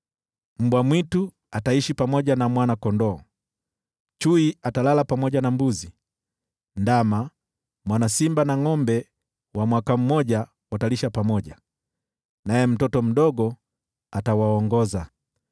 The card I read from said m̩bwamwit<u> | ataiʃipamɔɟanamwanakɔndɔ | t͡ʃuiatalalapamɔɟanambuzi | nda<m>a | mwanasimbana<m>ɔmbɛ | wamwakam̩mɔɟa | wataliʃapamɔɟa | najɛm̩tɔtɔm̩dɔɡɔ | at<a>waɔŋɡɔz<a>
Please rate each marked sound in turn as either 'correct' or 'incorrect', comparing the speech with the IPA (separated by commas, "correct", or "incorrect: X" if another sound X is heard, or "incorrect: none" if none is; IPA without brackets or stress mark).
correct, correct, incorrect: ŋ, correct, correct